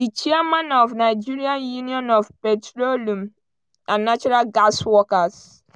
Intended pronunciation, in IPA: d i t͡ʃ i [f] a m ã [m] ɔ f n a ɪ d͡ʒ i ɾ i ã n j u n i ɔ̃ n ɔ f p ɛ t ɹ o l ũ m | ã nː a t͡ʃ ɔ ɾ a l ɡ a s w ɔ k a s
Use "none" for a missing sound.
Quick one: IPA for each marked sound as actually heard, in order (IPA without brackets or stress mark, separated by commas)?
none, n